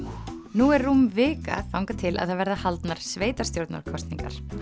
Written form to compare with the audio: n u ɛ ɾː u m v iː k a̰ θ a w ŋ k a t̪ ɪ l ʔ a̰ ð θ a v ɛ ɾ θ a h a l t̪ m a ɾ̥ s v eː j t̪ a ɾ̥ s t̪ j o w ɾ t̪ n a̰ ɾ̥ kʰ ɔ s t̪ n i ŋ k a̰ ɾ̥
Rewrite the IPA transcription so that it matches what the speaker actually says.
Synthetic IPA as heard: n u ɛ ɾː u m v ɪː k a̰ θ a w ŋ k a t̪ʰ ɪ l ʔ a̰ ð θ a v ɛ ɾ ð a h a l t̪ n a ɾ̥ s v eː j t̪ a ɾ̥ s t̪ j o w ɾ t̪ n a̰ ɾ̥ kʰ ɔ s t̪ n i ŋ k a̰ ɾ̥

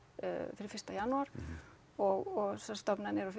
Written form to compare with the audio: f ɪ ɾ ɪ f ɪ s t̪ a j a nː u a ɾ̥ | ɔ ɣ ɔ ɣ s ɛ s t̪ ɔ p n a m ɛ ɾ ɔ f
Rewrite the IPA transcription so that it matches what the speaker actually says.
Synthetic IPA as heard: f ɪ ɾ ɪ f ɪ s t̪ a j a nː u a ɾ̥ | ɔ ɣ ɔ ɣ s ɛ s t̪ ɔ p n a n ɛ ɾ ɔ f

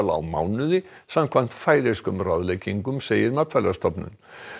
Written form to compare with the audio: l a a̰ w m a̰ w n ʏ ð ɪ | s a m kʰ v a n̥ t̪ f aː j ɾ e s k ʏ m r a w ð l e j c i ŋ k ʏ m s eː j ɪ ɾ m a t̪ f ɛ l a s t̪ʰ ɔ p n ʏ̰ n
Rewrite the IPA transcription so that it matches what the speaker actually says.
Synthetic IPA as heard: l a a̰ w m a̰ w n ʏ ð ɪ | s a m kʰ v a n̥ t̪ f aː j ɾ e s k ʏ m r a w ð l e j c i ŋ k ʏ m s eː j ɪ ɾ m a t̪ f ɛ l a s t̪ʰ ɔ p n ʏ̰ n

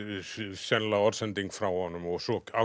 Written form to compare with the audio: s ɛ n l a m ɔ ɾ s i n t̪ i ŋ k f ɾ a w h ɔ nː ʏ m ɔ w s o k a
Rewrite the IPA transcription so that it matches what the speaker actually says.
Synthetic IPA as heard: s ɛ n l a ɔ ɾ s ɛ n t̪ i ŋ k f ɾ a w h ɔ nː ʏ m ɔ ɣ s ɔ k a

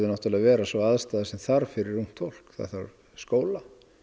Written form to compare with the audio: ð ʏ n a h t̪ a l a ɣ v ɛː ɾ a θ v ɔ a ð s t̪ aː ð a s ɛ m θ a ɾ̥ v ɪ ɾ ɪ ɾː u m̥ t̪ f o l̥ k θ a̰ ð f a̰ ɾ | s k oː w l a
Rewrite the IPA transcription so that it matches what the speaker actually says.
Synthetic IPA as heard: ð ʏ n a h t̪ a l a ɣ v ɛː ɾ a s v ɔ a ð s t̪ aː ð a s ɛ m θ a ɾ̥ f ɪ ɾ ɪ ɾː u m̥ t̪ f o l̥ k θ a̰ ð θ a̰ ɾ | s k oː w l a

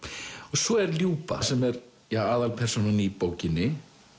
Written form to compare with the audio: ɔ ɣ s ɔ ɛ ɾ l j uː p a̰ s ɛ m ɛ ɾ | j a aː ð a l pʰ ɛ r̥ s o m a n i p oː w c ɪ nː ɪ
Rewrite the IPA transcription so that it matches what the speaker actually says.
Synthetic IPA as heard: ɔ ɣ s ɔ ɛ ɾ l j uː p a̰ s ɛ m ɛ ɾ | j a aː ð a l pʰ ɛ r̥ s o n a n i p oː w c ɪ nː ɪ

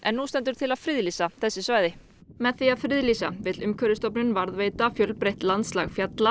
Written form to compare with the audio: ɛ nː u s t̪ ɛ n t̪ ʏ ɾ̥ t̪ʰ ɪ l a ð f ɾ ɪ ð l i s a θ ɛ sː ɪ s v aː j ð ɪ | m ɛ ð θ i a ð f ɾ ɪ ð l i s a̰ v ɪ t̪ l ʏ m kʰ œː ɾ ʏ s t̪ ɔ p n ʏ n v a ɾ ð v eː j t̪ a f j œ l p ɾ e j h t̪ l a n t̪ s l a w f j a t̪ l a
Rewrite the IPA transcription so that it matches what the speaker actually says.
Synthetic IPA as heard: ɛ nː u s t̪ ɛ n t̪ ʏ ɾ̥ t̪ʰ ɪ l a ð f ɾ ɪ ð l i s a θ ɛ sː ɪ s v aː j ð ɪ | m ɛ ð θ i a ð f ɾ ɪ ð l i s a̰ v ɪ t̪ l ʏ m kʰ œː ɾ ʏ s t̪ ɔ p n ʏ n v a ɾ ð v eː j t̪ a f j œ l p ɾ e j h t̪ l a n t̪ s l a ɣ f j a t̪ l a

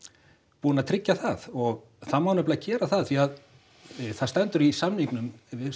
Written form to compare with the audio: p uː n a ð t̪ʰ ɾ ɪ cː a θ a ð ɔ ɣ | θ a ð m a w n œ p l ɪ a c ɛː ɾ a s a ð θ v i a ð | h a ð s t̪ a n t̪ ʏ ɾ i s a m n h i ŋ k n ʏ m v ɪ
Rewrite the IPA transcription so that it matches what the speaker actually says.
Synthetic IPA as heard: p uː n a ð t̪ʰ ɾ ɪ cː a θ a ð ɔ ɣ | θ a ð m a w n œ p l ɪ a c ɛː ɾ a θ a ð θ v i a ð | θ a ð s t̪ ɛ n t̪ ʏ ɾ i s a m n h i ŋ k n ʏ m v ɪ

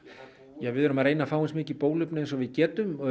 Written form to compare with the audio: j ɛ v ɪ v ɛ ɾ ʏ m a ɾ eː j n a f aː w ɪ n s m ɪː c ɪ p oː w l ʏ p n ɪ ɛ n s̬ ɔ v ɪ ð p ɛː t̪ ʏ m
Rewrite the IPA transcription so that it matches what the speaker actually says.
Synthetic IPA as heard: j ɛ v ɪ ð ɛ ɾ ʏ m a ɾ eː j n a f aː w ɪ n s m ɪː c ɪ p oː w l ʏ p n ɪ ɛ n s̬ ɔ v ɪ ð c ɛː t̪ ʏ m

